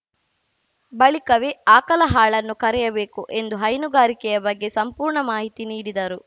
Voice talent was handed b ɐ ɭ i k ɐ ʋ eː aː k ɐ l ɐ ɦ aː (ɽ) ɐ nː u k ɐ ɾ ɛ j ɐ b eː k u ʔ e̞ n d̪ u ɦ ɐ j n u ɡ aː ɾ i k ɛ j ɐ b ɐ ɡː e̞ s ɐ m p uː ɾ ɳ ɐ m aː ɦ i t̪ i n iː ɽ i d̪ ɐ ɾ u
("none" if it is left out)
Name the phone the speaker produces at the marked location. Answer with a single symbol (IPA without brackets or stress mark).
ɭ